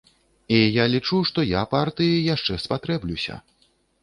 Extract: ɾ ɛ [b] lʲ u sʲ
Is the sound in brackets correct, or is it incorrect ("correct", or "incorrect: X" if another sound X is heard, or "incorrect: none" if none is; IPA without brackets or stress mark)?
correct